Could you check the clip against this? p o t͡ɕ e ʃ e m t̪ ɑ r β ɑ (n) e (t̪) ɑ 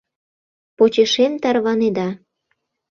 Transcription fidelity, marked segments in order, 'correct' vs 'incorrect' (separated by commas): correct, incorrect